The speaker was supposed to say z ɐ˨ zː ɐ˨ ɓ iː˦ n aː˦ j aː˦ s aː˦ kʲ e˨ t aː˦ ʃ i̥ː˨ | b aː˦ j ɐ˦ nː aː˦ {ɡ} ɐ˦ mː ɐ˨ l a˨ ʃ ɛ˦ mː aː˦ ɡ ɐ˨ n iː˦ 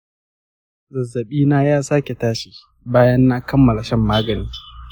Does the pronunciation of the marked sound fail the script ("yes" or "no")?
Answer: yes